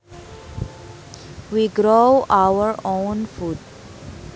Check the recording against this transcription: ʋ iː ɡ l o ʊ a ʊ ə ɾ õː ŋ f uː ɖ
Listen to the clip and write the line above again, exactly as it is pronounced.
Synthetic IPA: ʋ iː ɡ ɾ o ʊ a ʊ ə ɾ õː n f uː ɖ